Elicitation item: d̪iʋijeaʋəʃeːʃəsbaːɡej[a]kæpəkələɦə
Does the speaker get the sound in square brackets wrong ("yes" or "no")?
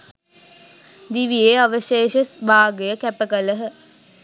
yes